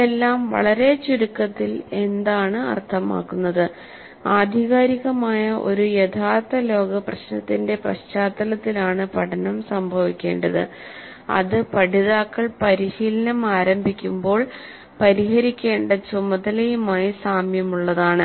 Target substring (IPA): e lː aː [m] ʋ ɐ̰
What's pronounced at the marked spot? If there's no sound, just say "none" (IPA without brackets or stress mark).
m